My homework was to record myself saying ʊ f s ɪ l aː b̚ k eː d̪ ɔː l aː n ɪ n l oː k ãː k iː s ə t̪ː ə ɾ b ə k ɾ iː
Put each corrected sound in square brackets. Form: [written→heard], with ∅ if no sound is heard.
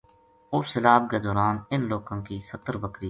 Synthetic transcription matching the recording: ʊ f s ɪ l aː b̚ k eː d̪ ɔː [l→ɾ] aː n ɪ n l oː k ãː k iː s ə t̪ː ə ɾ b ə k ɾ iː